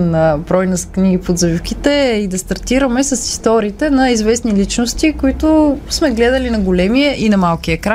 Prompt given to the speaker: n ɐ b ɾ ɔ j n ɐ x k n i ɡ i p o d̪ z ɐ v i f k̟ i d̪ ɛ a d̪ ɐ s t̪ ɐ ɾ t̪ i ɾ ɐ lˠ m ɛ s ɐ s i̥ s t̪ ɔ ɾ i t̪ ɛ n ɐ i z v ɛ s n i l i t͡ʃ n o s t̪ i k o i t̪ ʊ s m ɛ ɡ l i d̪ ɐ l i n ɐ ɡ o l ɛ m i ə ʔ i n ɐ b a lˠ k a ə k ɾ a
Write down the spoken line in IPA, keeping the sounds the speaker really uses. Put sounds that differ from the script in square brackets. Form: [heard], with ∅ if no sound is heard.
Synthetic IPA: n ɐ b ɾ ɔ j n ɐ [s] k n i ɡ i p o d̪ z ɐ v i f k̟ i [t̪] ɛ [i] d̪ ɐ s t̪ ɐ ɾ t̪ i ɾ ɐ [∅] m ɛ s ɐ s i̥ s t̪ ɔ ɾ [iː] t̪ ɛ n ɐ i z v ɛ s n i l i t͡ʃ n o s t̪ i k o i t̪ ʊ s m ɛ ɡ l [ɛ] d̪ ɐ l i n ɐ ɡ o l ɛ m i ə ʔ i n ɐ [m] a lˠ k [i] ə k ɾ a